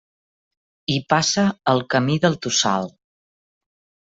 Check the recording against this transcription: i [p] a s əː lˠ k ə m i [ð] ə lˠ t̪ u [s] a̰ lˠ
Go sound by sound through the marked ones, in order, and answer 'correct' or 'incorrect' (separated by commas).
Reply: correct, correct, correct